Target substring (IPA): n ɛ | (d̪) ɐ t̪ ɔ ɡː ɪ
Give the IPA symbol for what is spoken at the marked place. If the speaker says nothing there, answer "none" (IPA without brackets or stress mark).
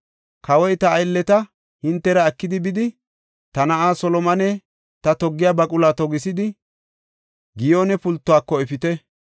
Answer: t̪